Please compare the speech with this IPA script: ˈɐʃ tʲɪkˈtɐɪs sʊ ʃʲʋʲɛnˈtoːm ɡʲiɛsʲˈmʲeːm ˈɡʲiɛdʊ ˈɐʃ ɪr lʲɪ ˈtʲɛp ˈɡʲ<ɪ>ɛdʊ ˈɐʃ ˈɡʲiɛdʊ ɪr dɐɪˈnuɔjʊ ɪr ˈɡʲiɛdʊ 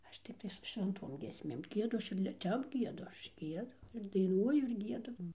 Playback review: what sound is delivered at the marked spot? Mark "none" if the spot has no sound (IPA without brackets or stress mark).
i